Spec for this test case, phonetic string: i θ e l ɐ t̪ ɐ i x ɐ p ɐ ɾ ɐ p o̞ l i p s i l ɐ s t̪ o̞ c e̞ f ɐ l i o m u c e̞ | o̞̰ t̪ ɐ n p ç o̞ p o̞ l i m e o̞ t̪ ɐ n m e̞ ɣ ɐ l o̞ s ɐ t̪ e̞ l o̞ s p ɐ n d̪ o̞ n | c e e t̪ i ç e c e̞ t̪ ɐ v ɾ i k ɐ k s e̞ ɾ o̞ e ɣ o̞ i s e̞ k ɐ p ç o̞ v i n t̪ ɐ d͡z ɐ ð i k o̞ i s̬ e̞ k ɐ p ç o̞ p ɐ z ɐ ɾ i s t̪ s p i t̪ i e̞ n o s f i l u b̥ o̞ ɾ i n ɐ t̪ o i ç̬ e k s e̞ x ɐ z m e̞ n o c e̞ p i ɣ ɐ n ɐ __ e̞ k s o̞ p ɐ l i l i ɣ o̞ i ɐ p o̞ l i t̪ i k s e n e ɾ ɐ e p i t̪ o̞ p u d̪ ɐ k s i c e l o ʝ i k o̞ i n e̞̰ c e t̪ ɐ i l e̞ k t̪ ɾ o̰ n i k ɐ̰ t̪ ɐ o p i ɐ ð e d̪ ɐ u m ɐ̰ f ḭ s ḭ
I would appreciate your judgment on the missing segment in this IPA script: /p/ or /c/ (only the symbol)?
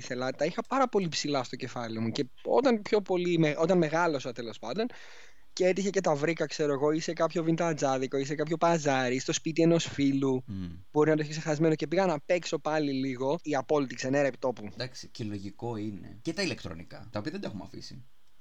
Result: p